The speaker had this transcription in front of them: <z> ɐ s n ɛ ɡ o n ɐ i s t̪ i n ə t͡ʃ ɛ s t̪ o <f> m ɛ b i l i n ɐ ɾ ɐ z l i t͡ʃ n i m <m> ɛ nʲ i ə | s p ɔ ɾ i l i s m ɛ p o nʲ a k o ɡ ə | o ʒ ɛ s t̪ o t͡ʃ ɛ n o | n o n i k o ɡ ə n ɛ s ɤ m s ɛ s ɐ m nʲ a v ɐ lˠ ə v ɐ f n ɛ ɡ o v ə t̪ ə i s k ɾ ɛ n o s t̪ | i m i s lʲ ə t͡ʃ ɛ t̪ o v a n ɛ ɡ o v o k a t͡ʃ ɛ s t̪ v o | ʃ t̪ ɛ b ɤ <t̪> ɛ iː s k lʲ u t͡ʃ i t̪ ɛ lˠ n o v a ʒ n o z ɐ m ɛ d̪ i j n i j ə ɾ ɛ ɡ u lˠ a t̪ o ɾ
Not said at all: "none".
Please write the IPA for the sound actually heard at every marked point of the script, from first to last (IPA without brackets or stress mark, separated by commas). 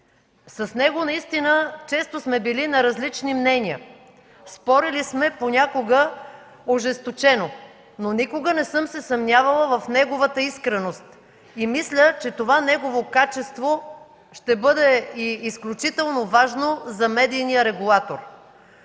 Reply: s, s, n, d̪